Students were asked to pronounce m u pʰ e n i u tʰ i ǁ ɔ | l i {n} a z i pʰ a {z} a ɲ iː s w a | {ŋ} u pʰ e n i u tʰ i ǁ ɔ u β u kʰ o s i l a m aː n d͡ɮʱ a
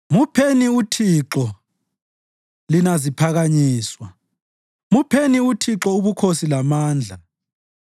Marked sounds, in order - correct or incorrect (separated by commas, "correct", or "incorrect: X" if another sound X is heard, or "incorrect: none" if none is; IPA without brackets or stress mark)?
correct, incorrect: ɣ, incorrect: m